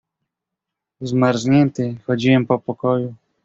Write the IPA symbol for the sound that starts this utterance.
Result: z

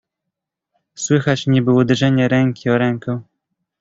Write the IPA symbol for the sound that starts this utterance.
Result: s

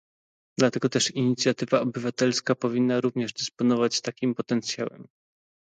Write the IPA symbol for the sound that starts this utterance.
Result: d̪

